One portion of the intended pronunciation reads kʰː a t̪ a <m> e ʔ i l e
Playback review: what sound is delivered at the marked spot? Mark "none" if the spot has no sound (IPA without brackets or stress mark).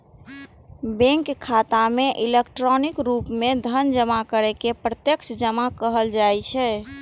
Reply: m